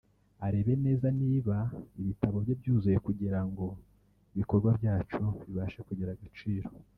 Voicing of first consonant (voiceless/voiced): voiced